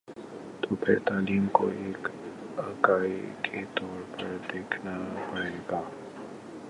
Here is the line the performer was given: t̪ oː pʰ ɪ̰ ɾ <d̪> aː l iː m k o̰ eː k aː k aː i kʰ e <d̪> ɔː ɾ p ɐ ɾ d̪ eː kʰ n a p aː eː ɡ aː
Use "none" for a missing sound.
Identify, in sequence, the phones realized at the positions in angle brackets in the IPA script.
t̪, t̪

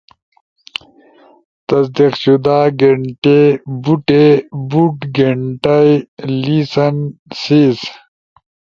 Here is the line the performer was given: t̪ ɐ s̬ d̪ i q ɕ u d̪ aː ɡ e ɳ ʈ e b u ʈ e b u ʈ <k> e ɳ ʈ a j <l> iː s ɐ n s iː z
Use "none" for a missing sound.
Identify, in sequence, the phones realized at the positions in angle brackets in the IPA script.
ɡ, l

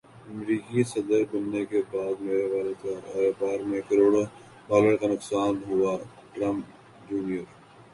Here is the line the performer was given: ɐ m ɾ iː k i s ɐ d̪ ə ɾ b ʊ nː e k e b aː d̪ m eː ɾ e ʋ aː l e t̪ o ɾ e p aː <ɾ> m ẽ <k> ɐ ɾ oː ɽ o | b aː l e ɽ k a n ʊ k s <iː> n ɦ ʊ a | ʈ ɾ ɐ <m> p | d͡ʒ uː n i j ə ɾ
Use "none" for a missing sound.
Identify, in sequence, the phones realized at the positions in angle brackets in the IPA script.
ɾ, k, aː, m

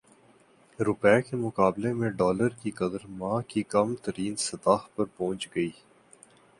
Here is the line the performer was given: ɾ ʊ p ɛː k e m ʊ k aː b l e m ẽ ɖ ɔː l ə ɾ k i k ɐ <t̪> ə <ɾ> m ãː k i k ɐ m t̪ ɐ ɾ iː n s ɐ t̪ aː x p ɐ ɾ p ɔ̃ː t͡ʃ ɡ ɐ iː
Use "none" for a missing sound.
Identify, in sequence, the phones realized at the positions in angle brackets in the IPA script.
d̪, ɾ

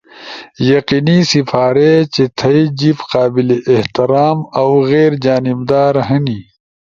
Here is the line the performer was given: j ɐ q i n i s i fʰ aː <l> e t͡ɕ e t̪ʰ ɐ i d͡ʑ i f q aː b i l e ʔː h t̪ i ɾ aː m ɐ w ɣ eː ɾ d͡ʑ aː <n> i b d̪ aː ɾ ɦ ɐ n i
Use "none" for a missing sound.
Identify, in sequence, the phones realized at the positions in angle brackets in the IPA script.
ɾ, n

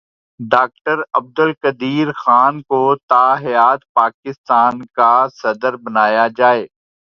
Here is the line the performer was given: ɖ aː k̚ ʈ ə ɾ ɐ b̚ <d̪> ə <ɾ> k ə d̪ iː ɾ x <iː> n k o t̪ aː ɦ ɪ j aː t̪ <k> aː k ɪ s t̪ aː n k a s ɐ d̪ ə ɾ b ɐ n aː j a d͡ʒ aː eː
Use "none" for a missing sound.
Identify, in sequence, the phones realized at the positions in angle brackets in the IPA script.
d̪, l, aː, p

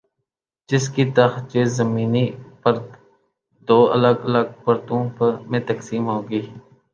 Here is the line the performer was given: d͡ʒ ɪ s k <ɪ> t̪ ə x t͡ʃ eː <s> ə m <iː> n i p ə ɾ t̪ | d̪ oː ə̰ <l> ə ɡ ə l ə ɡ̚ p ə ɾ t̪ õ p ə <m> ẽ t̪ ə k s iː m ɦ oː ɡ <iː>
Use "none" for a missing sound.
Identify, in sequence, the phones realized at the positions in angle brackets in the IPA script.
i, z, iː, l, m, iː

